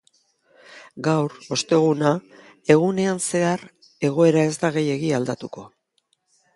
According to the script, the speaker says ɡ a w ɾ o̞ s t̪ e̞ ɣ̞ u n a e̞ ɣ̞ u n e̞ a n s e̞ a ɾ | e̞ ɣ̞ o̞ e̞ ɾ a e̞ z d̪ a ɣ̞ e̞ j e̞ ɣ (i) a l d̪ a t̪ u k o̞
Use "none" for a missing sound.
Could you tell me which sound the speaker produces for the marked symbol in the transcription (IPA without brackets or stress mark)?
i